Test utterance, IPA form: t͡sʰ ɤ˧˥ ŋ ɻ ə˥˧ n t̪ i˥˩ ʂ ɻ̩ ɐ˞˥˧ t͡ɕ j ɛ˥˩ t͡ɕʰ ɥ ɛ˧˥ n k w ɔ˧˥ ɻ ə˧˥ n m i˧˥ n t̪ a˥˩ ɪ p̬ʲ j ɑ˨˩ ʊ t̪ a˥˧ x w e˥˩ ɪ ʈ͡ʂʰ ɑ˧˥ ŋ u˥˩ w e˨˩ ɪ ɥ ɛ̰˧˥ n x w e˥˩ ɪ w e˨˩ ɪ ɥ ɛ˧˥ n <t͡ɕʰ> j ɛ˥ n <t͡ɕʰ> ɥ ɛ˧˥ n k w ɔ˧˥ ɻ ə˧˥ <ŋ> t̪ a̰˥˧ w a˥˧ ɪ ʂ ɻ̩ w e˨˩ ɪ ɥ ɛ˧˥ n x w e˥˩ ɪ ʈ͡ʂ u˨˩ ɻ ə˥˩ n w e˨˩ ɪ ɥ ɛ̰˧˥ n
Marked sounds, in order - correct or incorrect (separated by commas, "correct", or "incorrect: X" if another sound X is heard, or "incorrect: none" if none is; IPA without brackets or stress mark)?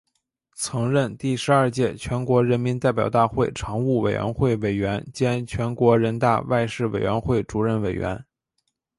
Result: incorrect: t͡ɕ, correct, incorrect: n